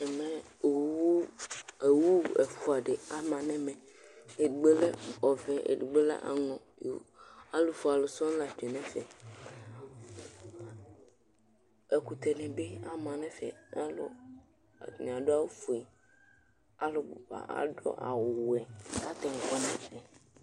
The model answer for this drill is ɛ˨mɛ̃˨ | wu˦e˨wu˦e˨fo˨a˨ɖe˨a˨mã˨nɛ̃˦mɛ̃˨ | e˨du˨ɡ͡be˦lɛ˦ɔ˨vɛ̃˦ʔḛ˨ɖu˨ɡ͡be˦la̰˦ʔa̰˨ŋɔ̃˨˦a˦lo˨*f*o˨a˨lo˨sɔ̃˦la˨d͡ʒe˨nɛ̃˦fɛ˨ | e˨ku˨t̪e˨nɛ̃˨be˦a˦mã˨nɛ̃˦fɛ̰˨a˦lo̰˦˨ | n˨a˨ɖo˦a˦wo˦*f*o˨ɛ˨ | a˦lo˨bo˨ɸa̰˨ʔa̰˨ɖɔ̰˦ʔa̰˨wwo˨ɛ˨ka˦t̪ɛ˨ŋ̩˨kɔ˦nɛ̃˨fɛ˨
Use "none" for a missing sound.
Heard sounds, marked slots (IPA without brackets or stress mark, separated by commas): f, f